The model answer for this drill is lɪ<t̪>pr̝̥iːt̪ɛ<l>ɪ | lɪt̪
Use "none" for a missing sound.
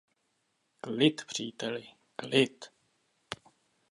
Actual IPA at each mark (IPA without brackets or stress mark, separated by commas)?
t̪, l